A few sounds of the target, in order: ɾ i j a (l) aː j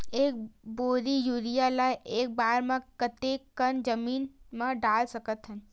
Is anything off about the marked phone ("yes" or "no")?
no